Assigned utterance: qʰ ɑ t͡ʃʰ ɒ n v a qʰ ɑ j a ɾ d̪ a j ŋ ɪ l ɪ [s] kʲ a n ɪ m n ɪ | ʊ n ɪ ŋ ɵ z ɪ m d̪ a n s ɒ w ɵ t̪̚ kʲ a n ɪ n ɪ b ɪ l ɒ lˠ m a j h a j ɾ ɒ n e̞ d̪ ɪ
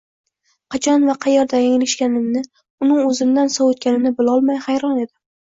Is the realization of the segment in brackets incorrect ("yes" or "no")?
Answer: yes